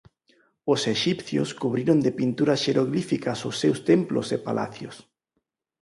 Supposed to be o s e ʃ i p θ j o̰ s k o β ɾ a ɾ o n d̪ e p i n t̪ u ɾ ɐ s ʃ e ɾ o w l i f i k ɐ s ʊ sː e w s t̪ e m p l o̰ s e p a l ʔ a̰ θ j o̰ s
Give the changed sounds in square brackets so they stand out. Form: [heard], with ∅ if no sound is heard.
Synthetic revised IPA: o s e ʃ i p θ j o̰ s k [u] β ɾ [i] ɾ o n d̪ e p i n t̪ u ɾ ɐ s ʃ e ɾ o [ɣ] l i f i k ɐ s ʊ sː e w s t̪ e m p l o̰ s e p a l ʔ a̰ θ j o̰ s